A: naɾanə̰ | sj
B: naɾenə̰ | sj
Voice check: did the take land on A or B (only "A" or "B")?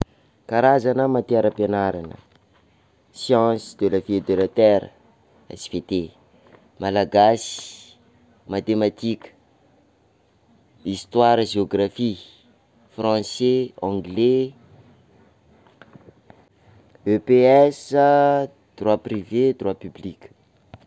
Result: A